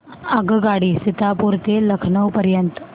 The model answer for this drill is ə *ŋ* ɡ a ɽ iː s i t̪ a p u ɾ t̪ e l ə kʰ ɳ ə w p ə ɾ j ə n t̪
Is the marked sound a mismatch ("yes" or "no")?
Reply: yes